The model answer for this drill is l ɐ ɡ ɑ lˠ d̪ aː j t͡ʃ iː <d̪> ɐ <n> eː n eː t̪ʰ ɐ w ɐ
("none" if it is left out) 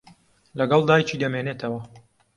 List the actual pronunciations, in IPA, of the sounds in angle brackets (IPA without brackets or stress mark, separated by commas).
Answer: d̪, m